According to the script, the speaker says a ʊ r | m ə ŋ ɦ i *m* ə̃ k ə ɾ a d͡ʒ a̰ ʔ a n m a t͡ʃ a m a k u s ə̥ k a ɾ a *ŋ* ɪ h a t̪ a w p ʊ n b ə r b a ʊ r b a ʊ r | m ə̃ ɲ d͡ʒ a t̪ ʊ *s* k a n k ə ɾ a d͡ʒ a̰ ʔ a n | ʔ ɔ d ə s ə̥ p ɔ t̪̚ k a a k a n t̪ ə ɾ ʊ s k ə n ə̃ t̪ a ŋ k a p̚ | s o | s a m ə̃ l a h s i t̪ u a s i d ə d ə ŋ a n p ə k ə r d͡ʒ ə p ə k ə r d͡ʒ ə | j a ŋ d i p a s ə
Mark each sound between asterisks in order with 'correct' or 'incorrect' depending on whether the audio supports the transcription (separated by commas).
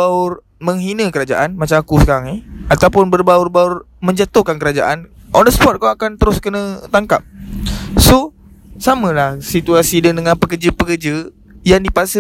incorrect, correct, incorrect